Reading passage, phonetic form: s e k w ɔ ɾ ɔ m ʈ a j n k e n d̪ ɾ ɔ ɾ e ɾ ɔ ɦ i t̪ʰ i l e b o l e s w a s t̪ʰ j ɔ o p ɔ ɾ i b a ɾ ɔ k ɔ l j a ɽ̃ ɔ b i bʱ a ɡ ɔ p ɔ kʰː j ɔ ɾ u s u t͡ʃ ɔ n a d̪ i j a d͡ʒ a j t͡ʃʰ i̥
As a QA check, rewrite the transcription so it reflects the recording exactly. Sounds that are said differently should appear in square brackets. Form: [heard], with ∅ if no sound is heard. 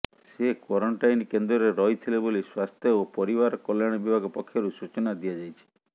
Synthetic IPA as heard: s e k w ɔ ɾ ɔ [ɳ] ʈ a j n k e n d̪ ɾ ɔ ɾ e ɾ ɔ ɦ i t̪ʰ i l e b o l [i] s w a s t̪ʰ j ɔ o p ɔ ɾ i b a ɾ ɔ k ɔ l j a ɽ̃ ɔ b i bʱ a ɡ ɔ p ɔ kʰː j ɔ ɾ u s u t͡ʃ ɔ n a d̪ i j a d͡ʒ a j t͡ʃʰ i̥